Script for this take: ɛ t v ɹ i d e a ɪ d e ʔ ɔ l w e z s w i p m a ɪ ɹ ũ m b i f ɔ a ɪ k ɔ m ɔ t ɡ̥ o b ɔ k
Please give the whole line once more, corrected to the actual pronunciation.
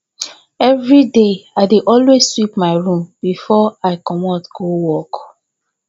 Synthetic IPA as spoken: ɛ v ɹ i d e a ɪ d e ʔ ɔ l w e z s w i p m a ɪ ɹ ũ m b i f ɔ a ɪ k ɔ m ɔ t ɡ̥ o w ɔ k